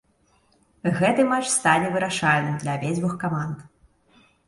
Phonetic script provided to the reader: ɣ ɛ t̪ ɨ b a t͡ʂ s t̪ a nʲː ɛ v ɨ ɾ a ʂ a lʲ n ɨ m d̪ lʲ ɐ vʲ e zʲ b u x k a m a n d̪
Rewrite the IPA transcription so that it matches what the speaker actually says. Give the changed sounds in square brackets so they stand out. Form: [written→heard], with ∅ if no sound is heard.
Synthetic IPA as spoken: ɣ ɛ t̪ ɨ [b→m] a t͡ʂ s t̪ a [nʲː→nʲ] ɛ v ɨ ɾ a ʂ a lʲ n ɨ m d̪ lʲ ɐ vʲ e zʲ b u x k a m a n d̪